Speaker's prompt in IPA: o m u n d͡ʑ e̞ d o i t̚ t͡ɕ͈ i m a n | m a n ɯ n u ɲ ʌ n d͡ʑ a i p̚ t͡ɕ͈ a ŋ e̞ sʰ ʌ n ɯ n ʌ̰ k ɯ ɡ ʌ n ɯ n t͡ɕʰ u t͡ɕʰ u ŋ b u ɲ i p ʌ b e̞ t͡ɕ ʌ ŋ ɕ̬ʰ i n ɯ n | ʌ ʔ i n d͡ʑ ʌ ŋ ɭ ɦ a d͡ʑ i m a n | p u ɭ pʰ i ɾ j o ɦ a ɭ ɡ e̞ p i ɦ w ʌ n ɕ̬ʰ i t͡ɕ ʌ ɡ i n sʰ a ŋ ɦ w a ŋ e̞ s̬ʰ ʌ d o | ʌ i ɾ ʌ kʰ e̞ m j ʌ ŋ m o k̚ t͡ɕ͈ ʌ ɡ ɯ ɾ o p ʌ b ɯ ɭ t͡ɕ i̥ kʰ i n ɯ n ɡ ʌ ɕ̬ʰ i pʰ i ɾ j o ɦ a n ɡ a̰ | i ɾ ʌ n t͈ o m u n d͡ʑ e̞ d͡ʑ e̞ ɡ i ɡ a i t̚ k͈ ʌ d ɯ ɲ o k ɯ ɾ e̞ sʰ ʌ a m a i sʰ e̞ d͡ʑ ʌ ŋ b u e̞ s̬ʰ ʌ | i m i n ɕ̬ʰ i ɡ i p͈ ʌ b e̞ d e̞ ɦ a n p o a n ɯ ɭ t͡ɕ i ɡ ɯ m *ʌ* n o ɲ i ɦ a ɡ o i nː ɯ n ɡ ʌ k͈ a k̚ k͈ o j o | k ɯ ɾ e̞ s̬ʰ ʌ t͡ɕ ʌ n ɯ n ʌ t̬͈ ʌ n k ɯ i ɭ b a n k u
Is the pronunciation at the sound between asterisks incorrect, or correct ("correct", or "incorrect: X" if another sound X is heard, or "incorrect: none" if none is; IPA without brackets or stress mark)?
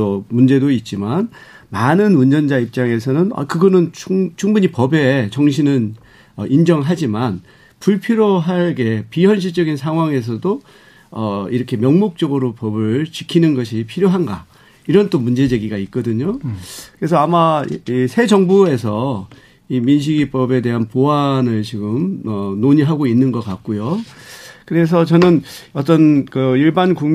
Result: correct